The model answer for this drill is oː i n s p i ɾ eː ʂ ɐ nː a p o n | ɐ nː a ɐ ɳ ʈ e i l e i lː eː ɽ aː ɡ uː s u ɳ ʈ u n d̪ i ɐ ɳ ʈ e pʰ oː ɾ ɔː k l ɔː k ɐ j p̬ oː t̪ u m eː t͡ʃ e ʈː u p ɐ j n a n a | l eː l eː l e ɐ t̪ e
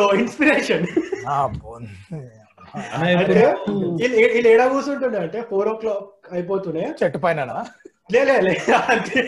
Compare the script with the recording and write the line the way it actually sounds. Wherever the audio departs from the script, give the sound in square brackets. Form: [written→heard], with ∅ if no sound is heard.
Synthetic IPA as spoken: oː i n s p i ɾ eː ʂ ɐ [nː→n] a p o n | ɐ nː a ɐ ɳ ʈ e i l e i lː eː ɽ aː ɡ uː s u ɳ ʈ u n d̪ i ɐ ɳ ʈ e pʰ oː ɾ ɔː k l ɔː k ɐ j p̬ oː t̪ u [m→n] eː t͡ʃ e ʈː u p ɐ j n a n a | l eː l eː l e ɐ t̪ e